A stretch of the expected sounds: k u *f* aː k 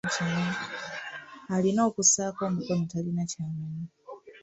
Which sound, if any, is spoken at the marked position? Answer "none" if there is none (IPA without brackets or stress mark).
s